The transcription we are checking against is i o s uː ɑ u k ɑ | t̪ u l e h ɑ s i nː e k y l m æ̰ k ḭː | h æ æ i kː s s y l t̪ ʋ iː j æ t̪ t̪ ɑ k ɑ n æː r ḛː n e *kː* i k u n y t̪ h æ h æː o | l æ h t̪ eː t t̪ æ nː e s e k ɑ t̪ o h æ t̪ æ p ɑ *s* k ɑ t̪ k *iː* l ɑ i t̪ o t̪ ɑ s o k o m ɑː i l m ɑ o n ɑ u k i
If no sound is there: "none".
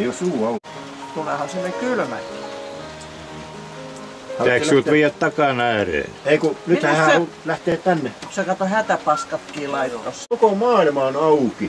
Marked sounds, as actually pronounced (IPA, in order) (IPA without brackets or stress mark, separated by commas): none, s, iː